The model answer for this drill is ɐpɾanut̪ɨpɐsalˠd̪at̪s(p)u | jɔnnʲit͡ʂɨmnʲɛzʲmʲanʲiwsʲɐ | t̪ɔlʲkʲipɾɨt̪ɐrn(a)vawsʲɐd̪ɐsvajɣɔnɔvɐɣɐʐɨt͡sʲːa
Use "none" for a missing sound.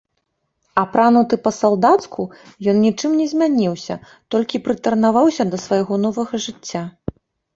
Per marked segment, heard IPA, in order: k, a

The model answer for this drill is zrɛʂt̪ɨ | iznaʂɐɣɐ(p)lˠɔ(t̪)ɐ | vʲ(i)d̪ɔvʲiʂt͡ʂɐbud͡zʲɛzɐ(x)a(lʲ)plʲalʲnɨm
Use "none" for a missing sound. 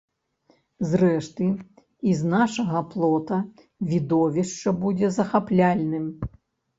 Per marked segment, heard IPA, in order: p, t̪, i, x, none

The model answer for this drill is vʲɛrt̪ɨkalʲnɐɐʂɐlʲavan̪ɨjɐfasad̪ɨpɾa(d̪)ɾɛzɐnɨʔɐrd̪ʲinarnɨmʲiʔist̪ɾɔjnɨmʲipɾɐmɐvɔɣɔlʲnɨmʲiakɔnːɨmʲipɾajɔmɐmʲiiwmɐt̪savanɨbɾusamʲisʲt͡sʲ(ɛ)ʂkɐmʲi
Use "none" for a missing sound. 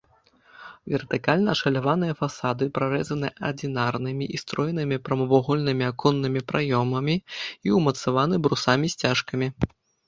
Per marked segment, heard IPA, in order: none, a

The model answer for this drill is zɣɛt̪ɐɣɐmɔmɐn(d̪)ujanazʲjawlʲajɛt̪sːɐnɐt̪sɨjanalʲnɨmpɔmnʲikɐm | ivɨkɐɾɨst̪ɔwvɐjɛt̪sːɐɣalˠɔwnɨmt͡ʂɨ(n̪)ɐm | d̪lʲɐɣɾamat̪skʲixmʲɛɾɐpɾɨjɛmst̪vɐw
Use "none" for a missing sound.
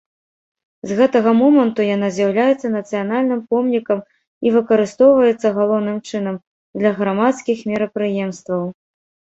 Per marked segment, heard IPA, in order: t̪, n̪

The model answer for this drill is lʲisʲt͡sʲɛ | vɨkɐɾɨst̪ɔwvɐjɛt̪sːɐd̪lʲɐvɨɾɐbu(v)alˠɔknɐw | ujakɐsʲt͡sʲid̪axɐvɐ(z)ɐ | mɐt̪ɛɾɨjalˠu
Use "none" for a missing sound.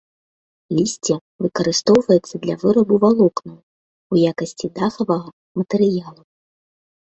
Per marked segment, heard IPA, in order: v, ɣ

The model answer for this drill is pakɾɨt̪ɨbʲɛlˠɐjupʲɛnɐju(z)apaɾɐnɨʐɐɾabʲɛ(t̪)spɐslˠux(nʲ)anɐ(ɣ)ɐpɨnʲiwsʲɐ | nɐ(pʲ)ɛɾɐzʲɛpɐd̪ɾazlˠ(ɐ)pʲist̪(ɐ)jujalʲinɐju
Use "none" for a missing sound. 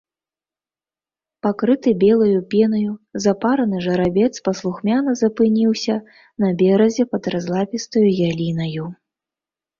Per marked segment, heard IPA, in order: z, t̪, mʲ, z, bʲ, a, ɐ

